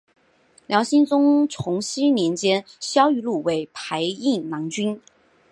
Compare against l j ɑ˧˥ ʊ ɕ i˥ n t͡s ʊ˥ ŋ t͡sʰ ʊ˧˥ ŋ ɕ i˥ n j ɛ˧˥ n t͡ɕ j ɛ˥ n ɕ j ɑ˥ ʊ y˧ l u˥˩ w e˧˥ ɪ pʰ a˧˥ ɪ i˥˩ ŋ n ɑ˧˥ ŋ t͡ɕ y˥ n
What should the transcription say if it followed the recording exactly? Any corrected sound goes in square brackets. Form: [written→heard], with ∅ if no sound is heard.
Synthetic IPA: l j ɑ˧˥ ʊ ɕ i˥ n t͡s ʊ˥ ŋ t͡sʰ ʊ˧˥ ŋ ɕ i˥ n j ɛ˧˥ n t͡ɕ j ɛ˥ n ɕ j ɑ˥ ʊ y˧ l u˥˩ w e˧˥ ɪ pʰ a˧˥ ɪ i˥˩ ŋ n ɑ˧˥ ŋ t͡ɕ y˥ n